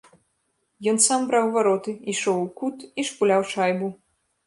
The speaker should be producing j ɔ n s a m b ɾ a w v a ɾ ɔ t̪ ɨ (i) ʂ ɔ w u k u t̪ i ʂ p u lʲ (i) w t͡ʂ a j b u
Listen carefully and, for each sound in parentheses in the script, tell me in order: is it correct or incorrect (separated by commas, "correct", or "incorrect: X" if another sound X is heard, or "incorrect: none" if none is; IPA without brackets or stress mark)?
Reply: correct, incorrect: a